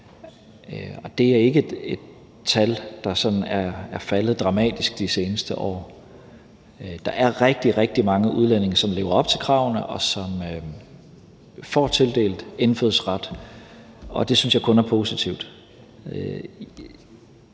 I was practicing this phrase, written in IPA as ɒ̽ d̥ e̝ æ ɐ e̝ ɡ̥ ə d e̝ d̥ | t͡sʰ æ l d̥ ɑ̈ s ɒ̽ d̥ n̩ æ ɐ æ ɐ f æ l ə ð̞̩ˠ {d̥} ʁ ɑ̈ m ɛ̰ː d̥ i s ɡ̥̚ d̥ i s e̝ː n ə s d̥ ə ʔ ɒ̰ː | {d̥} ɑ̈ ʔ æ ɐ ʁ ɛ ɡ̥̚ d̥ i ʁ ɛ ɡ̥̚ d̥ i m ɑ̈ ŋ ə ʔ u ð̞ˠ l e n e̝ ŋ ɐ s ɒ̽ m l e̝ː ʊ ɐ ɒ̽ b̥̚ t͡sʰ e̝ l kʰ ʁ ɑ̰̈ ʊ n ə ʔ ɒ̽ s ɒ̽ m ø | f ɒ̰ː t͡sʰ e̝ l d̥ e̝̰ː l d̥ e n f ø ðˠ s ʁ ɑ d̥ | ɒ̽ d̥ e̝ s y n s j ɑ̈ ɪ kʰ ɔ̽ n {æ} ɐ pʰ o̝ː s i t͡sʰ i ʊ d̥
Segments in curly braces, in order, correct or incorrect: correct, correct, correct

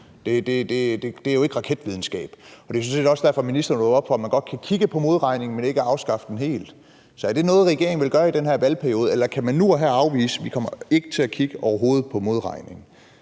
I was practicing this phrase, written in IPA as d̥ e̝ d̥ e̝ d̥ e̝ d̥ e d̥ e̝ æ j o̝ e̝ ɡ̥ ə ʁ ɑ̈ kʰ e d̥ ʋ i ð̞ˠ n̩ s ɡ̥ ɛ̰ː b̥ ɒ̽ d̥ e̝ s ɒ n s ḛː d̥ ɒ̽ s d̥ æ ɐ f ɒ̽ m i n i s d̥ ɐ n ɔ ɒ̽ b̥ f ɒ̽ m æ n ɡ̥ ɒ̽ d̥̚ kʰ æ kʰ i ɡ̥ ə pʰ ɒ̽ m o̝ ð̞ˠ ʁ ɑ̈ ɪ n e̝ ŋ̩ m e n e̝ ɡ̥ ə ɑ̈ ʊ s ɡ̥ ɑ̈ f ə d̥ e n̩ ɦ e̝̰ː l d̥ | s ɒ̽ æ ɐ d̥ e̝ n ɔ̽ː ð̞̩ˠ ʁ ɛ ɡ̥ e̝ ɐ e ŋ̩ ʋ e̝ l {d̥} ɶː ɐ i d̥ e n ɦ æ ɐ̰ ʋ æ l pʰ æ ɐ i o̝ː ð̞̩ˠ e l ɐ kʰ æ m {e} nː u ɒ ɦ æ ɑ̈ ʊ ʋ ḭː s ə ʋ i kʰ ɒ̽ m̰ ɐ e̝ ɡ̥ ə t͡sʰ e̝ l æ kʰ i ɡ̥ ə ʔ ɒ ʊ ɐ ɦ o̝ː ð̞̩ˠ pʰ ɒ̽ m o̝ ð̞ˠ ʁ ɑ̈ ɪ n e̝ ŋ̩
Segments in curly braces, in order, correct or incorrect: incorrect: ɡ̥, incorrect: æ

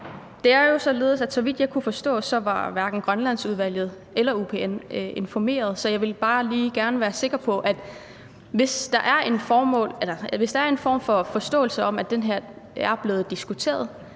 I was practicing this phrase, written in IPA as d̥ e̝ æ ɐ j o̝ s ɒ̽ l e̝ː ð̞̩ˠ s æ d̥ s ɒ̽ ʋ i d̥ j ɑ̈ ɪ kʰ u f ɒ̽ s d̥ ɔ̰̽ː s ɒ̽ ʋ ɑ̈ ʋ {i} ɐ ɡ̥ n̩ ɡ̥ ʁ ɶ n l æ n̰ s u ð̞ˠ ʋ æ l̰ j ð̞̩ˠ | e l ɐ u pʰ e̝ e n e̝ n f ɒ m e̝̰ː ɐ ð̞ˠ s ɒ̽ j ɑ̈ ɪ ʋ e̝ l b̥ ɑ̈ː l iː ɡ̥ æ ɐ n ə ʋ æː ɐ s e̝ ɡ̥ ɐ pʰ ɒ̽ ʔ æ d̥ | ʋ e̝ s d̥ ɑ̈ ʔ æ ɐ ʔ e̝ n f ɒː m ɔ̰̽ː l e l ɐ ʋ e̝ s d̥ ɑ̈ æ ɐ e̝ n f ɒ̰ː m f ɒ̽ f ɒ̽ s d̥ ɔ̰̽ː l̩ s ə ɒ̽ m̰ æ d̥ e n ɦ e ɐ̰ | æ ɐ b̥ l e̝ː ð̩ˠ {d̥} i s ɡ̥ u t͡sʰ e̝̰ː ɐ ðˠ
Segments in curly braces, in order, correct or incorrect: incorrect: æ, correct

